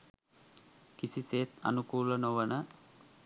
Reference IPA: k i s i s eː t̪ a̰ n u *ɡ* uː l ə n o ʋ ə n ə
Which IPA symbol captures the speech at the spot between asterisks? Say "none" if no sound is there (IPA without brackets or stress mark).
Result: k